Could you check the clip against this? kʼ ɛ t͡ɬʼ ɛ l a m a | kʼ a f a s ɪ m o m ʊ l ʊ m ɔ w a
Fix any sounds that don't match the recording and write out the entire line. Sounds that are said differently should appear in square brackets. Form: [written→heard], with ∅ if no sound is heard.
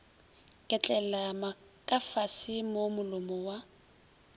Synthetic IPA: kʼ ɛ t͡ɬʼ ɛ l a m a | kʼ a f a s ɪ m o m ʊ l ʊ m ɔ w a